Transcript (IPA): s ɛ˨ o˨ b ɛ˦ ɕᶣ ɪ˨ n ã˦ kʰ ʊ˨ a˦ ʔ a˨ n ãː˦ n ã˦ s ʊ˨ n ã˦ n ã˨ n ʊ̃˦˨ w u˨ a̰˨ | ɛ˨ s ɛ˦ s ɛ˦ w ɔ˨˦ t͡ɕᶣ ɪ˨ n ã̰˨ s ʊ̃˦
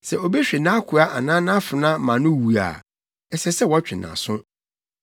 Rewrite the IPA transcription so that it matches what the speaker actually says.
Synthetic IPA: s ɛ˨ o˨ b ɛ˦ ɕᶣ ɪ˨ n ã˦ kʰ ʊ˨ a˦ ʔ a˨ n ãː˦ n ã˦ f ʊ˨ n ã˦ m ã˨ n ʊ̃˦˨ w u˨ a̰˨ | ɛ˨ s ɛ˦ s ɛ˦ w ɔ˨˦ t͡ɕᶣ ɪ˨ n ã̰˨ s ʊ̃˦